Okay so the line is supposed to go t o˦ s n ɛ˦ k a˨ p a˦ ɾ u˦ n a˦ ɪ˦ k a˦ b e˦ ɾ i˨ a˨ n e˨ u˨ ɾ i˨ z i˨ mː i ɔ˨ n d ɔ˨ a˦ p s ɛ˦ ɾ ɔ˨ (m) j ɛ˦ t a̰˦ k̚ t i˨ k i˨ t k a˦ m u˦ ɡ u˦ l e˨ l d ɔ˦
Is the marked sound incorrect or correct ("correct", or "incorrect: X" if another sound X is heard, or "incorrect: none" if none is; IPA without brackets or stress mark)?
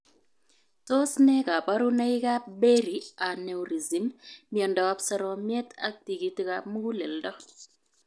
correct